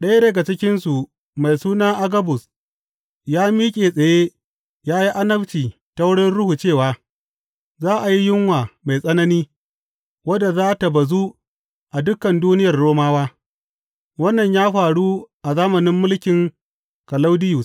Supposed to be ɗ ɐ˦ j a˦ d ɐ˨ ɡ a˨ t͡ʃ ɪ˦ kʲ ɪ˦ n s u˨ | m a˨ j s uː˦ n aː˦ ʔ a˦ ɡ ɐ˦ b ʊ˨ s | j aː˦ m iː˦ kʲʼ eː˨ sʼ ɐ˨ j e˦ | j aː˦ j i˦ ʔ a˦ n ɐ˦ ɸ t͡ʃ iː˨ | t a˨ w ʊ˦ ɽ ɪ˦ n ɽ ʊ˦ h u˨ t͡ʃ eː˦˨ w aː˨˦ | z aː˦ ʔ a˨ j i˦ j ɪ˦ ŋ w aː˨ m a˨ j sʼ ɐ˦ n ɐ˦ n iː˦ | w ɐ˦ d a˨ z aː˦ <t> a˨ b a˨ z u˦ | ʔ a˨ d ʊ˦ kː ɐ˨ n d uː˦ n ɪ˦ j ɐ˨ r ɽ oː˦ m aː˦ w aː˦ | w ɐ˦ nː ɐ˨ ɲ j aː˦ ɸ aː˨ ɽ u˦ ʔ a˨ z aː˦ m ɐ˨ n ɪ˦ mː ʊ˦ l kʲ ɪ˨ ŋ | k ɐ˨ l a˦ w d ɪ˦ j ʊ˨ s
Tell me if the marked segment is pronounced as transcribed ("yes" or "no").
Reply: yes